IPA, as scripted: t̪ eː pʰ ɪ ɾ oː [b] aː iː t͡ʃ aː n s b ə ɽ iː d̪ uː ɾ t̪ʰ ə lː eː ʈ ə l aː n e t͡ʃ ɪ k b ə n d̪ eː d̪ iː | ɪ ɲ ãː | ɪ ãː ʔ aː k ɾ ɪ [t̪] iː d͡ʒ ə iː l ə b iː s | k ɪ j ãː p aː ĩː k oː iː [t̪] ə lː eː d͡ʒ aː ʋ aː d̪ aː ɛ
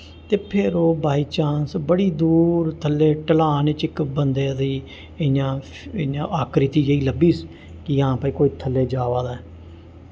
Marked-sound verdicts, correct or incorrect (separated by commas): correct, correct, incorrect